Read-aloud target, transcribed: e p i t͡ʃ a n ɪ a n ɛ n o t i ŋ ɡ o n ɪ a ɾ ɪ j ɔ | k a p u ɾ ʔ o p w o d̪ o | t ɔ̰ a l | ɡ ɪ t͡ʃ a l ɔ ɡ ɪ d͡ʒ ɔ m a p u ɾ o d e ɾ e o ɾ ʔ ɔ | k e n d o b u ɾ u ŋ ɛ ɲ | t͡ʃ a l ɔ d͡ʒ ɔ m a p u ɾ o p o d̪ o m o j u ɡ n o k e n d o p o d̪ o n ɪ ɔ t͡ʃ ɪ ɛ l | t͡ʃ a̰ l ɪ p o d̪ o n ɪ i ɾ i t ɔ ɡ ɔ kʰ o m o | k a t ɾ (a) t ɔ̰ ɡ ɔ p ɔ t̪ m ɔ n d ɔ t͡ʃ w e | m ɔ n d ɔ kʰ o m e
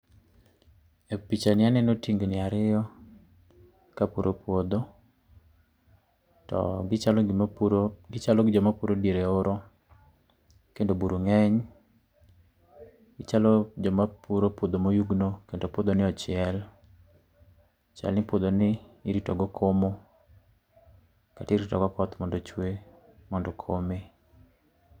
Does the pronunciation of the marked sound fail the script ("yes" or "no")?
yes